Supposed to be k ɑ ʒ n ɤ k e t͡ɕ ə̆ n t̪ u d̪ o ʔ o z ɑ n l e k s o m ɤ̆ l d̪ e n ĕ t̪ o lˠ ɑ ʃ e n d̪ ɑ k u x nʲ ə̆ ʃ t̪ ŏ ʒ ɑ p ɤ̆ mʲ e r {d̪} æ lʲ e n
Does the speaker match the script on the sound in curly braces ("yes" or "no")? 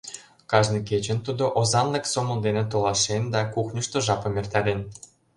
no